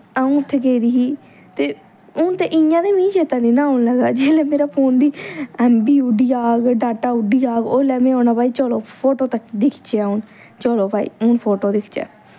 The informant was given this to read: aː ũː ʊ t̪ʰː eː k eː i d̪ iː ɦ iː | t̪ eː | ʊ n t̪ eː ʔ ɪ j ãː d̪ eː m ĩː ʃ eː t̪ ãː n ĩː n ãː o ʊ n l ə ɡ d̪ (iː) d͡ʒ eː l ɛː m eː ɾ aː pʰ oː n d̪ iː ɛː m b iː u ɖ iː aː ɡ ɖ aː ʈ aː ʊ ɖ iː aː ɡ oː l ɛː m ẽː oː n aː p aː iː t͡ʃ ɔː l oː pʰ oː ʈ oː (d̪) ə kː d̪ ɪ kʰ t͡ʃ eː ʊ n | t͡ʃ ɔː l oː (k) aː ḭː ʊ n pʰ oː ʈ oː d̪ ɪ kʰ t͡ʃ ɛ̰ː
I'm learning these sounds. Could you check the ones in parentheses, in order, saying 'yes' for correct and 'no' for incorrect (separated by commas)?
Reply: no, no, no